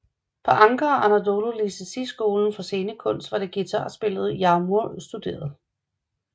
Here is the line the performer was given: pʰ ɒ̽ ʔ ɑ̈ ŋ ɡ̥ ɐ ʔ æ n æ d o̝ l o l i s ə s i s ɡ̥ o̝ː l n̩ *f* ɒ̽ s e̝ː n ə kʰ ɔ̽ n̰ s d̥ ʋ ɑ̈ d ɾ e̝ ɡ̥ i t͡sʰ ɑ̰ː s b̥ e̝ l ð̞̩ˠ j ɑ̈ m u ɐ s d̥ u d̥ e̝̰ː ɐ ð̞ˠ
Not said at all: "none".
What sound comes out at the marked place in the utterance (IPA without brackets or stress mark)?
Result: f